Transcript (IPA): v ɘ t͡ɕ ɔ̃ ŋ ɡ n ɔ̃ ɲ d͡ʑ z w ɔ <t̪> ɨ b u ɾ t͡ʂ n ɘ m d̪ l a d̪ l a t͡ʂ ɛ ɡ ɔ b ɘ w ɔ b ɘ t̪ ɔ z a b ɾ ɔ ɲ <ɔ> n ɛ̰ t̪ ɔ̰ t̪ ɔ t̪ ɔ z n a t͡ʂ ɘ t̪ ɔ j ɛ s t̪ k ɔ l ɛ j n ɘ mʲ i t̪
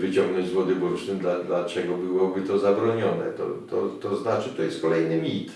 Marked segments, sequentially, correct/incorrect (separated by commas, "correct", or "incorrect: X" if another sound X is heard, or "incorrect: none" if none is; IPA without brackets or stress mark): incorrect: d̪, correct